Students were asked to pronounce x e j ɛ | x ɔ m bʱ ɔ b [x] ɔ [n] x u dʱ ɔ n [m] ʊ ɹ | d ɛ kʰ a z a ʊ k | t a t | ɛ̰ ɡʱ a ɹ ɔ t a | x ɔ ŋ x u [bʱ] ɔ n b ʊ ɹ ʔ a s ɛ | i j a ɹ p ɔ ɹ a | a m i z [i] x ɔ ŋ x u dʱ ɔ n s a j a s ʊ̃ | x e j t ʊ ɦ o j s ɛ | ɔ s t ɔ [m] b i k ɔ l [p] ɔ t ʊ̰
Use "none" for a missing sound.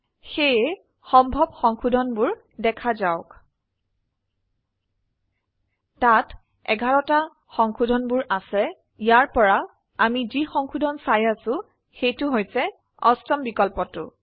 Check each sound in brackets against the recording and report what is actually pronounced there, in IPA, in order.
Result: x, ŋ, b, dʱ, i, m, p

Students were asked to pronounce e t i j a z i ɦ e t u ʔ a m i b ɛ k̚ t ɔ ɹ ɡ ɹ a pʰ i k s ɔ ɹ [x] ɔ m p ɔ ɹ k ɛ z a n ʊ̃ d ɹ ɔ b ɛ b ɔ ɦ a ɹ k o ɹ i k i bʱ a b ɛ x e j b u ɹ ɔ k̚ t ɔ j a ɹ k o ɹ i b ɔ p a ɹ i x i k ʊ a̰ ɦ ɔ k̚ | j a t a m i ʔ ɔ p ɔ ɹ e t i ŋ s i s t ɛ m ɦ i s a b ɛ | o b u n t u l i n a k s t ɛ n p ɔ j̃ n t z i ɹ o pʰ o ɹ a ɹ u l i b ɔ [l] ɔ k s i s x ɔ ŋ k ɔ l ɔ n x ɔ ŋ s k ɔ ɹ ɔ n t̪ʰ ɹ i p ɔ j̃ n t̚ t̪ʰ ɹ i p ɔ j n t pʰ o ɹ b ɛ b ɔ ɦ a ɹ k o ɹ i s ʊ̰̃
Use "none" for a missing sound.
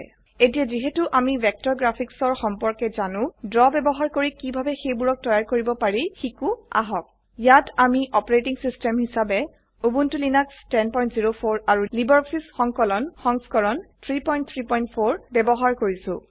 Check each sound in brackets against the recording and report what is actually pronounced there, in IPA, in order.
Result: x, ɹ

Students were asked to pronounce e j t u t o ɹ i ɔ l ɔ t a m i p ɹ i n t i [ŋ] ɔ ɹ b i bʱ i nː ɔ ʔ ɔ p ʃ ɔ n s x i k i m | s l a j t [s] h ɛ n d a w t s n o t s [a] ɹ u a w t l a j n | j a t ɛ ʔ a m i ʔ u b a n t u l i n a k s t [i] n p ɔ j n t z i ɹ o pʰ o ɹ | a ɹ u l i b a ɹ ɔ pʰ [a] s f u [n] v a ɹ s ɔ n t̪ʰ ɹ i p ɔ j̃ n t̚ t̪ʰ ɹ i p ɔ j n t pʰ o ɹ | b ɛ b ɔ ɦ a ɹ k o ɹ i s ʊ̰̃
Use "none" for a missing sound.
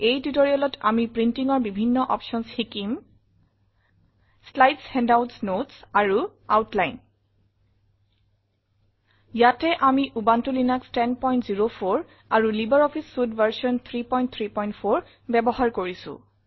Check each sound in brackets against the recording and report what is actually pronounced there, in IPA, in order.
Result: ŋ, s, a, ɛ, i, d

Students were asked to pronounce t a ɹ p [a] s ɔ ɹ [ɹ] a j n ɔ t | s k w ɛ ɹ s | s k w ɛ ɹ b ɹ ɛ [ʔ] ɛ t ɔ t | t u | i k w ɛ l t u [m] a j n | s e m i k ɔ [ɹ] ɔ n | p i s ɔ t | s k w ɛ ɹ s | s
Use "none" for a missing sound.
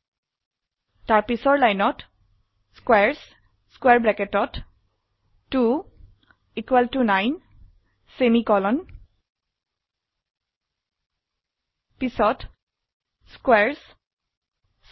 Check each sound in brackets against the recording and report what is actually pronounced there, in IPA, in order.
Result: i, l, k, n, l

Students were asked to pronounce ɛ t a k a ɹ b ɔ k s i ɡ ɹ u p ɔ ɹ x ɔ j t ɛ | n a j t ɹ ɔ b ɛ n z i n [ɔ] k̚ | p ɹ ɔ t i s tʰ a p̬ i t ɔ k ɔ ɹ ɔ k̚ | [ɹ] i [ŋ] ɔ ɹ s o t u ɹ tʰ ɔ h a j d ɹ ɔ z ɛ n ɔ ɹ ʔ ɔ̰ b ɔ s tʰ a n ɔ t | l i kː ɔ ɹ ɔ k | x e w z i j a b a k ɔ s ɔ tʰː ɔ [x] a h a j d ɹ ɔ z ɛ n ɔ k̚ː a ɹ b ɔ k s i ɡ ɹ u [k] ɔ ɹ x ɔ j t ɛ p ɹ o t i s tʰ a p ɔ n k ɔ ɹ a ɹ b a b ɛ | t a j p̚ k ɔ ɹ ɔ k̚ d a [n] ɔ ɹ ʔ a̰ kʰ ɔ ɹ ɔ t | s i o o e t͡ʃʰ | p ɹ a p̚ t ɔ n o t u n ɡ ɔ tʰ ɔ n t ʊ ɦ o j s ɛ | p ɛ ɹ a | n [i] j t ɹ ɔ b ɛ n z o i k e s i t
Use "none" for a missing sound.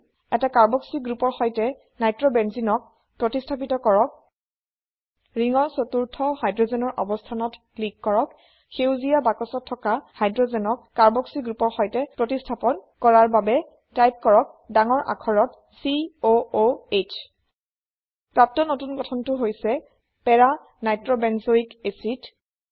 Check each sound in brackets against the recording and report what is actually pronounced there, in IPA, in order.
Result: ɔ, ɹ, ŋ, k, p, ŋ, a

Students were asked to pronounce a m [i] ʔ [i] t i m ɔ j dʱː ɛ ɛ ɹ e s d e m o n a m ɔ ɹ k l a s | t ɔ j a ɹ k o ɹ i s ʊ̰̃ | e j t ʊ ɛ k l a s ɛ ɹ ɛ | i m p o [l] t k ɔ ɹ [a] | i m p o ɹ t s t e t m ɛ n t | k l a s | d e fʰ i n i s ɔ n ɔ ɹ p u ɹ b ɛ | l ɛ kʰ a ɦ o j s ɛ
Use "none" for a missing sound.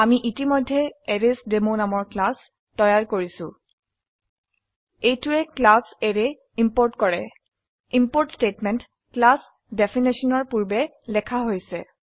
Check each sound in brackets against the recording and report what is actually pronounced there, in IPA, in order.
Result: i, i, ɹ, ɛ

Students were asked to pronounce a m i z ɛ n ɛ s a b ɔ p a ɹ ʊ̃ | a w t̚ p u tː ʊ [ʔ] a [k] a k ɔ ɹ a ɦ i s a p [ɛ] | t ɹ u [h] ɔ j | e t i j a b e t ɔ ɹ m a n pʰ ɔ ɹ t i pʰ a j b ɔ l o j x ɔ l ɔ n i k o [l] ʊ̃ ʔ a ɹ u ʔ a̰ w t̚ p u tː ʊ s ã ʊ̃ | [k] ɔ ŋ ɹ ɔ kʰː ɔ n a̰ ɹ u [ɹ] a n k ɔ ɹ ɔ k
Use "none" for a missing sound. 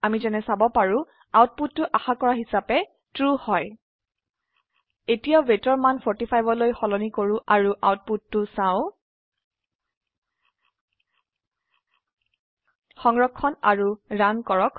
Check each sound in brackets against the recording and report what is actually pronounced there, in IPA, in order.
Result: ʔ, x, ɛ, h, ɹ, x, ɹ

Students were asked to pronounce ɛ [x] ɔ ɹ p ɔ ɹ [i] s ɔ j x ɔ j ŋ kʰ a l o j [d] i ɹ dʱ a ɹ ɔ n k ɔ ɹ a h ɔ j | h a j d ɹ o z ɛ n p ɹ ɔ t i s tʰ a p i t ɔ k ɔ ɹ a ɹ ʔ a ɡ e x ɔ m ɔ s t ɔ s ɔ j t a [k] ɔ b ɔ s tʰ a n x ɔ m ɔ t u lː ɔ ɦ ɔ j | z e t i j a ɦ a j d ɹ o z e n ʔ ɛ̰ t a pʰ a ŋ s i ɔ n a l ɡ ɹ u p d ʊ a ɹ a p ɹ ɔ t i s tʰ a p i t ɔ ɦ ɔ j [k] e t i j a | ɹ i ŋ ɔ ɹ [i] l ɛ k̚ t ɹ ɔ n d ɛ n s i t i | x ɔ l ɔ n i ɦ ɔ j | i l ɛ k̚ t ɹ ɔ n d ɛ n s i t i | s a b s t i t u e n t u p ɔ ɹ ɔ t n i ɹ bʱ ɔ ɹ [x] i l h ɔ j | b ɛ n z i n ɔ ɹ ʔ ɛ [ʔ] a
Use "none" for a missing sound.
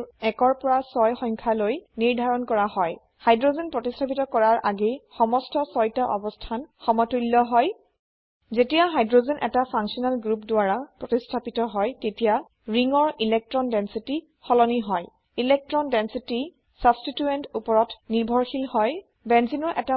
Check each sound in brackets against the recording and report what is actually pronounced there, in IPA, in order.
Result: k, a, n, ʔ, t, i, x, t

